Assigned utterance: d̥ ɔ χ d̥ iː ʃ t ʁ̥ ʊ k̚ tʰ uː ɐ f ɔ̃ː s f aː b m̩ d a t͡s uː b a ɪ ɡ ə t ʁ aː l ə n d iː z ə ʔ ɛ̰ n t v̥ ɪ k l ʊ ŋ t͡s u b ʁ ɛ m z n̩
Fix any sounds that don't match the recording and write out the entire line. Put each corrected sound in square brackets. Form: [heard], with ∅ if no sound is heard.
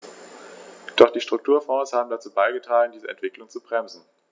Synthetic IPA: d̥ ɔ χ d̥ iː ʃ t ʁ̥ ʊ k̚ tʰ uː ɐ f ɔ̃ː s [h] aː b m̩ d a t͡s uː b a ɪ ɡ ə t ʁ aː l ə n d iː z ə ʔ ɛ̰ n t v̥ ɪ k l ʊ ŋ t͡s u b ʁ ɛ m z n̩